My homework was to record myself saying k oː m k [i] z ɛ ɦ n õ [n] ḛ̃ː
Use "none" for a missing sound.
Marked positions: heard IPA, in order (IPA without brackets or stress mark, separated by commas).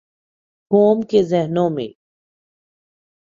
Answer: e, m